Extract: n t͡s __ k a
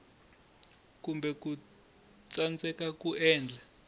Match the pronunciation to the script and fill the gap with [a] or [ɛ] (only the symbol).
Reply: ɛ